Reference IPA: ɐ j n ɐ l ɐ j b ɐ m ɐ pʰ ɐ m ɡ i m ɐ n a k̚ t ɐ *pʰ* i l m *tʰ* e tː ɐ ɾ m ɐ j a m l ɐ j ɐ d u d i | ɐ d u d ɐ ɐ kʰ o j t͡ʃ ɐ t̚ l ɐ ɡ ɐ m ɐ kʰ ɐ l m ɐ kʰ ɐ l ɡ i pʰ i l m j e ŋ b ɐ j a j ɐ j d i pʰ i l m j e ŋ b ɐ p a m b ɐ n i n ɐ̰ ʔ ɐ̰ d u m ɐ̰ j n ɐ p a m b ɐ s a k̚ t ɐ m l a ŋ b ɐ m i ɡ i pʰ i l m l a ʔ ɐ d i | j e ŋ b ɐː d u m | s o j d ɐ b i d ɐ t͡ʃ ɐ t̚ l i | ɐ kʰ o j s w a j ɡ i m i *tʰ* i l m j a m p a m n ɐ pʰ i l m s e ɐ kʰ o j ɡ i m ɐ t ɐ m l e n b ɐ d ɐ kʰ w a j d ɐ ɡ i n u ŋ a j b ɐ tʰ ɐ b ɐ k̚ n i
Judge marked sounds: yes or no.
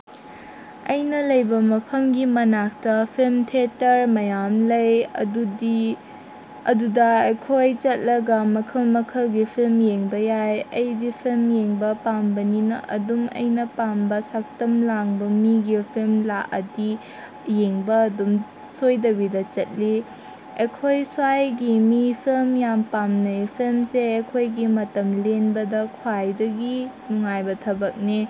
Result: yes, yes, no

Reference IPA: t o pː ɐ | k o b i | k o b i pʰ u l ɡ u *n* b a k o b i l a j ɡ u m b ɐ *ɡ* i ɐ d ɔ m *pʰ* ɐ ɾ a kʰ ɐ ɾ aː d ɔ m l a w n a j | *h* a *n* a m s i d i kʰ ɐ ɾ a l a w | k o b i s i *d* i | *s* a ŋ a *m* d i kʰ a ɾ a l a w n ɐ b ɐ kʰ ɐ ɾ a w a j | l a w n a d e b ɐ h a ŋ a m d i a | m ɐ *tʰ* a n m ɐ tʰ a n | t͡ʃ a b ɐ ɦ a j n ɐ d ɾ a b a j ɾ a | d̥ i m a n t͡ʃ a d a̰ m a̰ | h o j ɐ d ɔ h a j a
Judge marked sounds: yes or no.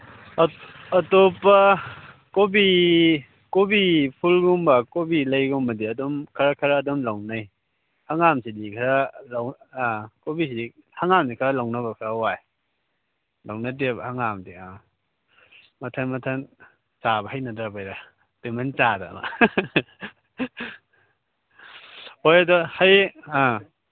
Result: no, no, no, yes, no, yes, no, yes, yes

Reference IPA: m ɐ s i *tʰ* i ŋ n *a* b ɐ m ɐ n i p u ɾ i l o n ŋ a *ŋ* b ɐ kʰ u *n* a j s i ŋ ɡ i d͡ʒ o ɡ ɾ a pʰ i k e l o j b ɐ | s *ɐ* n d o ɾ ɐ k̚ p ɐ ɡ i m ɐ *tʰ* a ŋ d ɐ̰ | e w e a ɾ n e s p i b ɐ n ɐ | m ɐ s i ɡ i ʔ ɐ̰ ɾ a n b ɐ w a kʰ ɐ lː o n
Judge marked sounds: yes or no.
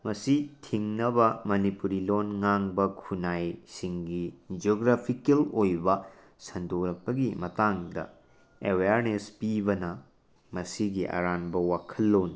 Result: yes, no, yes, yes, yes, no

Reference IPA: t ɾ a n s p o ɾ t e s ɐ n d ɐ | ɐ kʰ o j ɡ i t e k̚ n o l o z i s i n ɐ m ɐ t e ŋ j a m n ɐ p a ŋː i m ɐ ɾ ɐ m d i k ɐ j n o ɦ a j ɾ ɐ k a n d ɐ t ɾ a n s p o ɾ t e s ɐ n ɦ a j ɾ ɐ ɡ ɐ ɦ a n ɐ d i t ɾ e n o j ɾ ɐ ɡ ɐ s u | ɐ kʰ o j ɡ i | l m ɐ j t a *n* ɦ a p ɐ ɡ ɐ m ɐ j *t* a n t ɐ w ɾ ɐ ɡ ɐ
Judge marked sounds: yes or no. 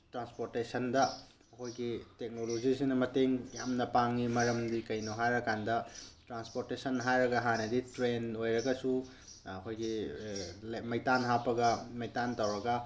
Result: yes, yes

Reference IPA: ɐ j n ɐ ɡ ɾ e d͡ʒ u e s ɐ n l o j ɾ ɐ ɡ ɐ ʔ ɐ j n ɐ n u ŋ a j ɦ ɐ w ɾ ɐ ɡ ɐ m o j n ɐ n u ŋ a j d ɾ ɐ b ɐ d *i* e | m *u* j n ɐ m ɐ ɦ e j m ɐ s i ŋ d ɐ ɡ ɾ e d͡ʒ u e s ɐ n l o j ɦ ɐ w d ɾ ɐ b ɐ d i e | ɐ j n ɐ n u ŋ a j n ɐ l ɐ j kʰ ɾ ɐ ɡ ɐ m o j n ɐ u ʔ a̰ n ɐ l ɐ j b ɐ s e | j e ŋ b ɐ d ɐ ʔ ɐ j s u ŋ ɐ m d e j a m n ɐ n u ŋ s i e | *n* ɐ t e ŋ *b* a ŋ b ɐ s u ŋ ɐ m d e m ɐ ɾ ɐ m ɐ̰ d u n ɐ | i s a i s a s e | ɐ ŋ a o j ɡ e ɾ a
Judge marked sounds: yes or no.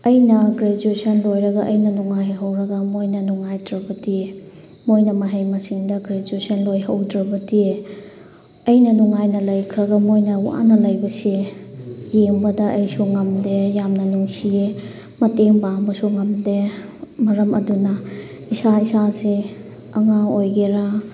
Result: yes, no, no, yes

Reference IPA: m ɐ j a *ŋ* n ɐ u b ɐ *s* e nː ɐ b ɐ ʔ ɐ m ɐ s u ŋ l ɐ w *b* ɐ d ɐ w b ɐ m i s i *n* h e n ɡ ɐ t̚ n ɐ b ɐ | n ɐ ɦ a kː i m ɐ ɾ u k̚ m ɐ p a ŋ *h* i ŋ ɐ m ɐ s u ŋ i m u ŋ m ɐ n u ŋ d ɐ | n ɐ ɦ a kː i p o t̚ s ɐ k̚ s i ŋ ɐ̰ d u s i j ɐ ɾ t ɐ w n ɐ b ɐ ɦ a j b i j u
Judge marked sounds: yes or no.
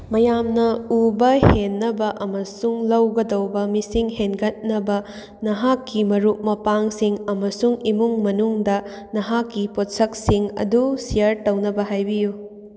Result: no, no, no, no, no

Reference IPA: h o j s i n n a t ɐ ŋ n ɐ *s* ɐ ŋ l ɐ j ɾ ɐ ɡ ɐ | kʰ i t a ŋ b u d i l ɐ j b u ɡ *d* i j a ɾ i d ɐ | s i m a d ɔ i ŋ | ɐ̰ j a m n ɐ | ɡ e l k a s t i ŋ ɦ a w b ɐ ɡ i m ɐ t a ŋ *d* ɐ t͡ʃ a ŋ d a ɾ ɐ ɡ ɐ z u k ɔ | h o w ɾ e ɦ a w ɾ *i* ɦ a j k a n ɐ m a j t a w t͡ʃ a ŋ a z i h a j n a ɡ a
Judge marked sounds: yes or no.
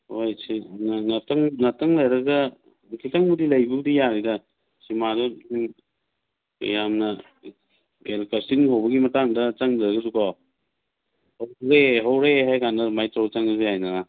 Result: no, yes, yes, no

